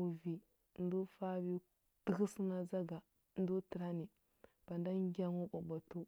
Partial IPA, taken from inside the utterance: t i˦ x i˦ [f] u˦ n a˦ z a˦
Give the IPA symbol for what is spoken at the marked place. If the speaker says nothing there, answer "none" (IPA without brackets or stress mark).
s